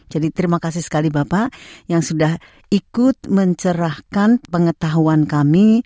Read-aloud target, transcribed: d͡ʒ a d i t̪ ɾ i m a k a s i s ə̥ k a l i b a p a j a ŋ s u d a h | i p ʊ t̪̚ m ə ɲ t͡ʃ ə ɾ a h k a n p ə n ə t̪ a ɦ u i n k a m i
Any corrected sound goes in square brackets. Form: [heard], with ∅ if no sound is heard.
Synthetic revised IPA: d͡ʒ a d i t̪ ɾ i m a k a s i s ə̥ k a l i b a p a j a ŋ s u d a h | i [k] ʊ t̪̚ m ə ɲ t͡ʃ ə ɾ a h k a n p ə [ŋ] ə t̪ a ɦ u [a] n k a m i